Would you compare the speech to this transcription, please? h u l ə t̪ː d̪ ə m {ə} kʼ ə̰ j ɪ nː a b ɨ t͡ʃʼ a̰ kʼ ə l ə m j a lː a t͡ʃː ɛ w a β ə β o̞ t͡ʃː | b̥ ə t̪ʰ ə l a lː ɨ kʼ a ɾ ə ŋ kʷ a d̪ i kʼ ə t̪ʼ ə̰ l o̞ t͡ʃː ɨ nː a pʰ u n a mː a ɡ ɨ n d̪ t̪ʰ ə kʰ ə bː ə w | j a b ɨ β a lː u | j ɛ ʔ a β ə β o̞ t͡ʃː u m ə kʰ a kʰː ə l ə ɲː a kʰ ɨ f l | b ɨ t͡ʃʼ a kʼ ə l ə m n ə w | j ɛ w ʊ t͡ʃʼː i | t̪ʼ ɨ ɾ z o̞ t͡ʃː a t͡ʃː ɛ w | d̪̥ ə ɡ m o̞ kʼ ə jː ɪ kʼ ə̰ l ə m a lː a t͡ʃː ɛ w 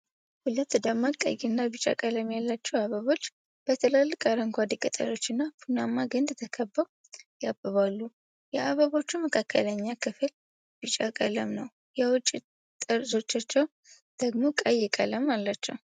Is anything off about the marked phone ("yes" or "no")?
yes